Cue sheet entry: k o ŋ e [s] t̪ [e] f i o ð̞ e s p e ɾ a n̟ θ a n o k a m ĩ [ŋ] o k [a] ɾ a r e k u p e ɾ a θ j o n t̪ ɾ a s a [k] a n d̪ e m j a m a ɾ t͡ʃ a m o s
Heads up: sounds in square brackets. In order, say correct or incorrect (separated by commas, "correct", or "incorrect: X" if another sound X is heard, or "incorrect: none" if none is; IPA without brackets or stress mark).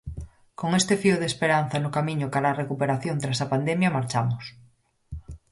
correct, correct, incorrect: ɲ, correct, incorrect: p